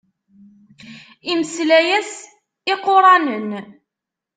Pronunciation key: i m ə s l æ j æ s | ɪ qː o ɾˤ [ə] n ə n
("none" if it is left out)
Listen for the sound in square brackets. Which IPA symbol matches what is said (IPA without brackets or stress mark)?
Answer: ɑ